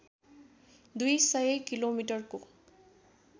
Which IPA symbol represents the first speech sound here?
d̪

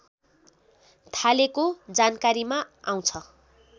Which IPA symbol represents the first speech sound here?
t̪ʰ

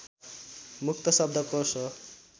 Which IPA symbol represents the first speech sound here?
m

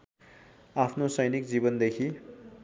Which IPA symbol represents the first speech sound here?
a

